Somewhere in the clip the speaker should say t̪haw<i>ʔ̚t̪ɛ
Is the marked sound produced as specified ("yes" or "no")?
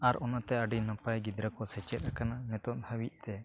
yes